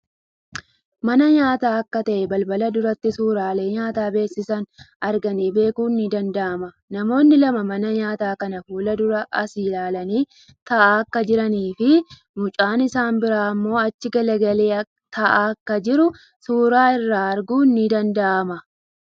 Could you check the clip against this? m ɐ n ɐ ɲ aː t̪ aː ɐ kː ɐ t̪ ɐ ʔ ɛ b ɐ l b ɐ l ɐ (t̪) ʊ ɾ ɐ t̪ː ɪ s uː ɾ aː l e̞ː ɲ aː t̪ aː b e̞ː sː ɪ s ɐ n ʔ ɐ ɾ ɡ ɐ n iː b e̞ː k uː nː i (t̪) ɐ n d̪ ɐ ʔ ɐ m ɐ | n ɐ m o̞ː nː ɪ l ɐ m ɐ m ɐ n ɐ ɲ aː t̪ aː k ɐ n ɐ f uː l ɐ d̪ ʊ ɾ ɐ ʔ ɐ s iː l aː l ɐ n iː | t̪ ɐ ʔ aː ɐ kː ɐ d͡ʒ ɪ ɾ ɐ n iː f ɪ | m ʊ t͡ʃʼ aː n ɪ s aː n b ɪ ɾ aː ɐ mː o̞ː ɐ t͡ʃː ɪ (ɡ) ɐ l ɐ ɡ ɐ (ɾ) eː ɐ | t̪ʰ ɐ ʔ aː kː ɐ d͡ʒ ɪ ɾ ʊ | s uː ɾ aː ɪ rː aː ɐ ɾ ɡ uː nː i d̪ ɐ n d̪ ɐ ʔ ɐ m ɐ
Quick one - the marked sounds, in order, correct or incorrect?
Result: incorrect, incorrect, correct, incorrect

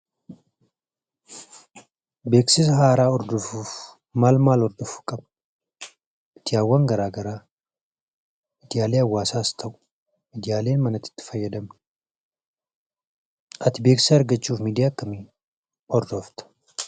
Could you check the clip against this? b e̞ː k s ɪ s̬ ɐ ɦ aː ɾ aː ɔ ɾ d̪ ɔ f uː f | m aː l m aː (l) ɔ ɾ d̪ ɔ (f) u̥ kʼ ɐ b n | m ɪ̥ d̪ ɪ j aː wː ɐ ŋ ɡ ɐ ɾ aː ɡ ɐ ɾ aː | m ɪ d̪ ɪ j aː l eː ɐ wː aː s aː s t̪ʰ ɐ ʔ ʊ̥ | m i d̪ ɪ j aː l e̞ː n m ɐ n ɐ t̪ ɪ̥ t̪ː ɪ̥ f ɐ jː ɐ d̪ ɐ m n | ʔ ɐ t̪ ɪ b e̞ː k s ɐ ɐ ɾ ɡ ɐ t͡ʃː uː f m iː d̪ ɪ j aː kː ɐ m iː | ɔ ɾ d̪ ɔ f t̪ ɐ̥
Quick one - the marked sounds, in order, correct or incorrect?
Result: correct, correct

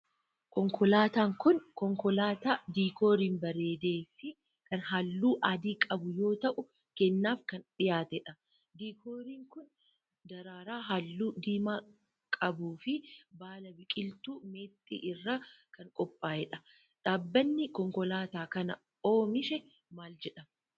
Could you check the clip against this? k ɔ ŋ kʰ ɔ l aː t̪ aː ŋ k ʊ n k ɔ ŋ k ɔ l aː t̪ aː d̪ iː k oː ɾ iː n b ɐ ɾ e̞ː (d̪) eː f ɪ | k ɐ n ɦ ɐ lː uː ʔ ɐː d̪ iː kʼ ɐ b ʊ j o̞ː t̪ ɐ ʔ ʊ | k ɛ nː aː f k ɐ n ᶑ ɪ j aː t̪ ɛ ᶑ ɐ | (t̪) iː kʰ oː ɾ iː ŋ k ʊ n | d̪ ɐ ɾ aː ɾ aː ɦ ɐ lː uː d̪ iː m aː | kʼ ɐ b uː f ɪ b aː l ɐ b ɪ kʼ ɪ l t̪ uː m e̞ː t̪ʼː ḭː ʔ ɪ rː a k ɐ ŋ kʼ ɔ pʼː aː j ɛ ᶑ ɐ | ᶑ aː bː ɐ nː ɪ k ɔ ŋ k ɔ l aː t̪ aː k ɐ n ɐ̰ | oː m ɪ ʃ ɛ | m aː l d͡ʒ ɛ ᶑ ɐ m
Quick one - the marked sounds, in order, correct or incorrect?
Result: correct, incorrect

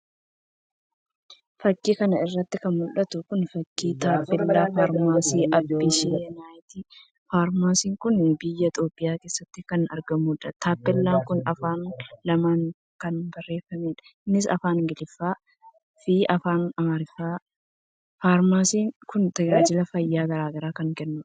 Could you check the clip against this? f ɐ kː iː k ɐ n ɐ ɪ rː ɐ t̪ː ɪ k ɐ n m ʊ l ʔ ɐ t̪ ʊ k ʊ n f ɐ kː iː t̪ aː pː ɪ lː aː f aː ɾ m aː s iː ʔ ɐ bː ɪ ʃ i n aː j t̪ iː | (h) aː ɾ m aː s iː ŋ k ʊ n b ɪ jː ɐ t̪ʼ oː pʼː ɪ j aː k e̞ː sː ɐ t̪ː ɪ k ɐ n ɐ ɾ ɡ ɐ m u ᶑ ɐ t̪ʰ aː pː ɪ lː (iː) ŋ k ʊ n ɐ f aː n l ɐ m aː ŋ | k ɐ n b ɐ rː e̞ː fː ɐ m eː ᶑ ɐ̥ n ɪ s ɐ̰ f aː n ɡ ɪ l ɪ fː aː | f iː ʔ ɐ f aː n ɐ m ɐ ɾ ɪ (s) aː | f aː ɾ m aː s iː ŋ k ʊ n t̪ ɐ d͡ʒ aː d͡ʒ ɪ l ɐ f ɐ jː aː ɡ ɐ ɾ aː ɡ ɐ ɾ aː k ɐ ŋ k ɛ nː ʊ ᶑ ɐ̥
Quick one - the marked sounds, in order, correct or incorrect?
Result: incorrect, incorrect, incorrect

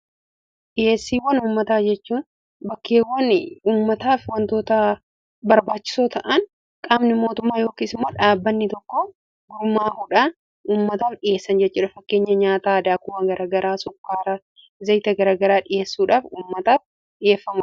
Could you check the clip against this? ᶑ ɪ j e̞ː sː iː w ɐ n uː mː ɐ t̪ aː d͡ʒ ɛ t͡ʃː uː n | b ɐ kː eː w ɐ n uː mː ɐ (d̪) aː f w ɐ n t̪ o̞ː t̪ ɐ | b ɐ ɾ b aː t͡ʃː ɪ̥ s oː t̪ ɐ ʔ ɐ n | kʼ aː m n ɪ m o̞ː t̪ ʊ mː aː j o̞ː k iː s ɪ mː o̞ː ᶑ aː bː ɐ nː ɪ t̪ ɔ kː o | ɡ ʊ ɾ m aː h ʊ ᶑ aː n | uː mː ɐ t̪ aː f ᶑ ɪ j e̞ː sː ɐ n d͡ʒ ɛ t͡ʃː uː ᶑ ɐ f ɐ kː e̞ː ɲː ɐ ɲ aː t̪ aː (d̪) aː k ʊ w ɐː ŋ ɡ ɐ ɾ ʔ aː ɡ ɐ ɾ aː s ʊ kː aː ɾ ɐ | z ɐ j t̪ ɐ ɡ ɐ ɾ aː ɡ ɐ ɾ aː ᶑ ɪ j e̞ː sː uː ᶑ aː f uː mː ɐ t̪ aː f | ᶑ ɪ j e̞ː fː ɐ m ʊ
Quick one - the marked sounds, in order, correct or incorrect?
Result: incorrect, correct

